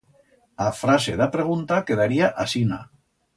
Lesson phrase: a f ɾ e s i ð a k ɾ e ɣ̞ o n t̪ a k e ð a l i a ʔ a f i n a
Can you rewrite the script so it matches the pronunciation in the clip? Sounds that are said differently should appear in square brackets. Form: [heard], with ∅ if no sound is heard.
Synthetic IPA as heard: a f ɾ [a] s [e] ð a [p] ɾ e ɣ̞ [u] n t̪ a k e ð a [ɾ] i a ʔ a [s] i n a